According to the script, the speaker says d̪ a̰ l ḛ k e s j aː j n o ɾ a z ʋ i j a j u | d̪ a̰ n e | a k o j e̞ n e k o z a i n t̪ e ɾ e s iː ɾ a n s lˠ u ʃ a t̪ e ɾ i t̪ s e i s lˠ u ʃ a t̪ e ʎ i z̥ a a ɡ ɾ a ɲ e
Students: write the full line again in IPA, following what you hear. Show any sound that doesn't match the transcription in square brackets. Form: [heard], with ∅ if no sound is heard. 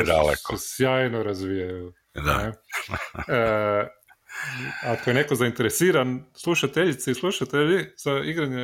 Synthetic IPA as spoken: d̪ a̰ l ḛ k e s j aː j n o ɾ a z ʋ i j a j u | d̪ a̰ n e | a k o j e̞ n e k o z a i n t̪ e ɾ e s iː ɾ a n s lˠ u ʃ a t̪ e [ʎ] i t̪ s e i s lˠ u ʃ a t̪ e ʎ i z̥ a [i] ɡ ɾ a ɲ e